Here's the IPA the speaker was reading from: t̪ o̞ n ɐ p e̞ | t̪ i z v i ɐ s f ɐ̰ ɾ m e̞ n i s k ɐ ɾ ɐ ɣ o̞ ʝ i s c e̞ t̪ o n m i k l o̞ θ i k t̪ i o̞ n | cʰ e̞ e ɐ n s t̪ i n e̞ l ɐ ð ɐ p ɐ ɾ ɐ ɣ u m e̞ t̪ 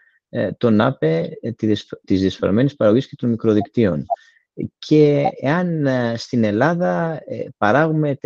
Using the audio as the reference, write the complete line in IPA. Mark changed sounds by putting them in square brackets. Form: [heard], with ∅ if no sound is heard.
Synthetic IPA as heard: t̪ o̞ n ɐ p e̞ | t̪ i z [ð] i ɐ s f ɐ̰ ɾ m e̞ n i s [p] ɐ ɾ ɐ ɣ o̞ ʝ i s c e̞ t̪ o n m i k [ɾ] o̞ [ð] i k t̪ i o̞ n | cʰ e̞ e ɐ n s t̪ i n e̞ l ɐ ð ɐ p ɐ ɾ ɐ ɣ u m e̞ t̪